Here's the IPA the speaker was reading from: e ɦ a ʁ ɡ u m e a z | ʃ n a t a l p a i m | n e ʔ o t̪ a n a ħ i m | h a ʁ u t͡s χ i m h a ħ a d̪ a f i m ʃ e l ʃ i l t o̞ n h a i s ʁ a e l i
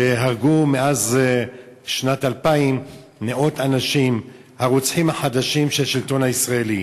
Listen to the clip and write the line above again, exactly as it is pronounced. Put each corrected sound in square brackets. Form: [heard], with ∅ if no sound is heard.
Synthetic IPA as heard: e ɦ a ʁ ɡ u m e a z | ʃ n a t a l p a i m | n e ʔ o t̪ a n a [ʃ] i m | h a ʁ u t͡s [ħ] i m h a ħ a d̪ a [ʃ] i m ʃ e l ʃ i l t o̞ n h a i s ʁ a e l i